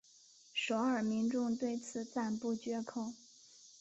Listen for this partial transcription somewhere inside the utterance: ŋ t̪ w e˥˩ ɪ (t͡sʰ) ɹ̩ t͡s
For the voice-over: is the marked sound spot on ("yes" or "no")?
yes